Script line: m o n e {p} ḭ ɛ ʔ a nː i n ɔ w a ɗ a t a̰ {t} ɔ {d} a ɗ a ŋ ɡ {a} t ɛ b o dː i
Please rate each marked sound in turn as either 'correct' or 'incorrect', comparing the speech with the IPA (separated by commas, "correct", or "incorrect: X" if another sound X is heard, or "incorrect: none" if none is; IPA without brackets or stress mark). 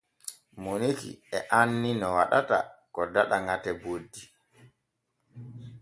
incorrect: k, incorrect: k, correct, correct